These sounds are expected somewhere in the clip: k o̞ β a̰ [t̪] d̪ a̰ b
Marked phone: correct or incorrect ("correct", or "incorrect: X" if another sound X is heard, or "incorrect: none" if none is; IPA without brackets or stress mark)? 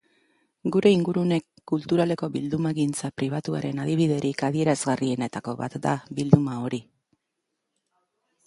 correct